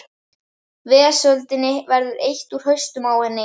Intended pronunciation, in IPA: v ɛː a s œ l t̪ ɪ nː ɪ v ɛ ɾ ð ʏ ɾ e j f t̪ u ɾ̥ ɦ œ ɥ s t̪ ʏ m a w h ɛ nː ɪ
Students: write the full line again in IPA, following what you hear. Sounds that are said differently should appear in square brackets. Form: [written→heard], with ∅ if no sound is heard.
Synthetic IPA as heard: v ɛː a s œ l t̪ ɪ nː ɪ v ɛ ɾ ð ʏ ɾ e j [f→h] t̪ u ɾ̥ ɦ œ ɥ s t̪ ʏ m a w h ɛ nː ɪ